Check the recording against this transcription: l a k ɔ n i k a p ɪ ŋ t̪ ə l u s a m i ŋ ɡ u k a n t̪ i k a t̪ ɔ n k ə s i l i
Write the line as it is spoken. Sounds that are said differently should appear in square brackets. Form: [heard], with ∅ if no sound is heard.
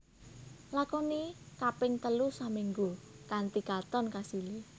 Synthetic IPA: l a k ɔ n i k a p ɪ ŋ t̪ ə l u s a m i ŋ ɡ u k a n t̪ i k a t̪ ɔ n k [a] s i l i

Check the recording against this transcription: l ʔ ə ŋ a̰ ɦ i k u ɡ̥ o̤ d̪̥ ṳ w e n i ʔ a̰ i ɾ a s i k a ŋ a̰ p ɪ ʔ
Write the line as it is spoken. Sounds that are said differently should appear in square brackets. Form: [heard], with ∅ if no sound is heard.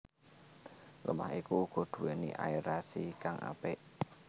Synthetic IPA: l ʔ ə [m] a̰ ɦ i k u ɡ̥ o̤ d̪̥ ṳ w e n i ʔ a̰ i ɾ a s i k a ŋ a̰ p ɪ ʔ

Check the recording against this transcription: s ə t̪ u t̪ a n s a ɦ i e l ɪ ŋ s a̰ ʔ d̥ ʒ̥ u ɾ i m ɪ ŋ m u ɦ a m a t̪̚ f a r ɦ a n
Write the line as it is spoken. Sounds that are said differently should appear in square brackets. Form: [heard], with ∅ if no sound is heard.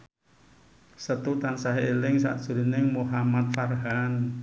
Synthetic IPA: s ə t̪ u t̪ a n s a ɦ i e l ɪ ŋ s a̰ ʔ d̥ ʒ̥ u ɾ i [n] ɪ ŋ m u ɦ a m a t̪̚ f a r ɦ a n

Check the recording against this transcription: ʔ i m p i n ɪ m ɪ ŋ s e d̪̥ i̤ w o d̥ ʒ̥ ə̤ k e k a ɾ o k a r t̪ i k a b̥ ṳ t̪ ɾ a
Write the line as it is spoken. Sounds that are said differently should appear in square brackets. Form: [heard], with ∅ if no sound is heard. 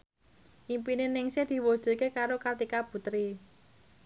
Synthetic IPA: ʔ i m p i n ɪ [n] ɪ ŋ s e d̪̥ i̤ w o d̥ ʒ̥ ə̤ k e k a ɾ o k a r t̪ i k a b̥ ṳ t̪ ɾ [i]

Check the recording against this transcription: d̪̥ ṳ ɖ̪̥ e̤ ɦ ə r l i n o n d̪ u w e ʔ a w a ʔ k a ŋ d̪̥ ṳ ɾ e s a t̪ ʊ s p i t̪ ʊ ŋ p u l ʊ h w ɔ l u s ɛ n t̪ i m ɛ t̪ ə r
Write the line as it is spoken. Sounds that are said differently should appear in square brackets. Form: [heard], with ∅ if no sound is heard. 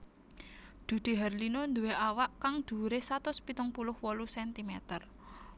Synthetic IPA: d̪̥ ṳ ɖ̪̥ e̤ ɦ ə r l i n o n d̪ u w e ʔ a w a ʔ k a ŋ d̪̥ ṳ ɾ e s a t̪ ʊ s p i t̪ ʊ ŋ p u l ʊ h w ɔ l u s ɛ n t̪ i m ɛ t̪ ə r

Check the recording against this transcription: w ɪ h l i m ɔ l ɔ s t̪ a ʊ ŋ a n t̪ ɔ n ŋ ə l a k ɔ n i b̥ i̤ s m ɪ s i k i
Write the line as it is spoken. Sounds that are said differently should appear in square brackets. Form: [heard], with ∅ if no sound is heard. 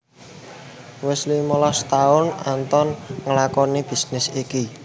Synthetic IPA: w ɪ [s] l i m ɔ l ɔ s t̪ a ʊ [n] a n t̪ ɔ n ŋ ə l a k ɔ n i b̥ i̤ s [n] ɪ s i k i

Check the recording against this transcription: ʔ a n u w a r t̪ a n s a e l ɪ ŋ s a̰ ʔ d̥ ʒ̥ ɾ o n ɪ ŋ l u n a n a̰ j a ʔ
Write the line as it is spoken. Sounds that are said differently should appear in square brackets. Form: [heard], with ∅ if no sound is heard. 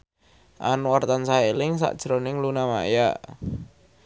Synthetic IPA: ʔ a n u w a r t̪ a n s a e l ɪ ŋ s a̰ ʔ d̥ ʒ̥ ɾ o n ɪ ŋ l u n a [m] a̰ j a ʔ

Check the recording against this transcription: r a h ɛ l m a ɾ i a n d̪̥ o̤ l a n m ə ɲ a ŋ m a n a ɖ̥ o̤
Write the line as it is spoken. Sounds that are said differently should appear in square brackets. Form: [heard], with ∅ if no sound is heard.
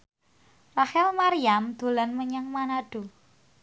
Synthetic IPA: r a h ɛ l m a ɾ i a [m] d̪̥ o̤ l a n m ə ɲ a ŋ m a n a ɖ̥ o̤

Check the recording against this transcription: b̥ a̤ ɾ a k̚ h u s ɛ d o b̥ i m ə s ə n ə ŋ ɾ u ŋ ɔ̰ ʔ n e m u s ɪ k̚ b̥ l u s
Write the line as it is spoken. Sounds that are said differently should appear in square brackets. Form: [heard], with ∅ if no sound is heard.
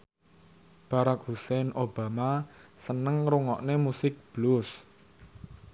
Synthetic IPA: b̥ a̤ ɾ a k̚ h u s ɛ [n] o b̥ [a] m [a] s ə n ə ŋ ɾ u ŋ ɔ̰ ʔ n e m u s ɪ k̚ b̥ l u s

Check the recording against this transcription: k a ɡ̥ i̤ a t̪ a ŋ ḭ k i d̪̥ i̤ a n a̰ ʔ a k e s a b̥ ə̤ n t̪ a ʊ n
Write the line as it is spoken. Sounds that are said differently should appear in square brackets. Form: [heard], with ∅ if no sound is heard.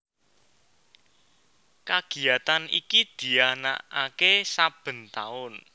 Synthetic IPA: k a ɡ̥ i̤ a t̪ a [n] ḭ k i d̪̥ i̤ a n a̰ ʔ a k e s a b̥ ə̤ n t̪ a ʊ n

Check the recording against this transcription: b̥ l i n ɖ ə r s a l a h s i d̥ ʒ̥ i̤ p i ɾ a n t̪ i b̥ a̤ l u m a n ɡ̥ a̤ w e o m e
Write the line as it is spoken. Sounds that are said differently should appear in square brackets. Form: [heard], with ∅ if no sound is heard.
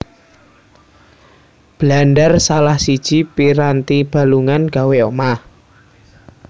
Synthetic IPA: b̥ l [a] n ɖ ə r s a l a h s i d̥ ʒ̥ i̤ p i ɾ a n t̪ i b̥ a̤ l u [ŋ] a n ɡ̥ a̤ w e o m [a]

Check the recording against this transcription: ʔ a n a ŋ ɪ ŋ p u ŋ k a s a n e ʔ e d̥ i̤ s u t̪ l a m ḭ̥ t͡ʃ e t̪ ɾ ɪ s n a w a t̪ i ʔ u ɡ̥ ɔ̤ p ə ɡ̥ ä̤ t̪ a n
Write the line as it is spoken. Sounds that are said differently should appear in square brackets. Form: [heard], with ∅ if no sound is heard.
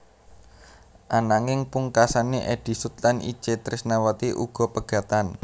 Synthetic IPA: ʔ a n a ŋ ɪ ŋ p u ŋ k a s a n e ʔ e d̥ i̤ s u t̪ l a [n] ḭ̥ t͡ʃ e t̪ ɾ ɪ s n a w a t̪ i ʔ u ɡ̥ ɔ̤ p ə ɡ̥ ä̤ t̪ a n

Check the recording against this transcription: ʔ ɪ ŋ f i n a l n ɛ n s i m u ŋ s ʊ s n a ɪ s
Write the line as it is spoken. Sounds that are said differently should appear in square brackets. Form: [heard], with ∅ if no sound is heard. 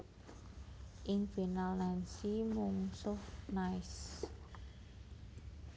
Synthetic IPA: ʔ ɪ ŋ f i n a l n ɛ n s i m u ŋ s ʊ [h] n a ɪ s

